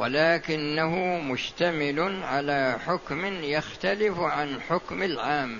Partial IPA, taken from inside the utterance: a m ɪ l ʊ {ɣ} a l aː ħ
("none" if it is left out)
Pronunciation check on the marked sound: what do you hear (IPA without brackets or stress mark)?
ʕ